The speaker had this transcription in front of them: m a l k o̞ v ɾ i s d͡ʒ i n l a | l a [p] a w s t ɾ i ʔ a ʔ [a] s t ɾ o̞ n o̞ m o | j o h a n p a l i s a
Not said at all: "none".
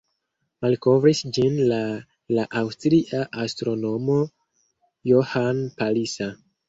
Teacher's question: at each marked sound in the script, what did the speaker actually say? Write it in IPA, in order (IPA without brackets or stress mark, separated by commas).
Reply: ʔ, a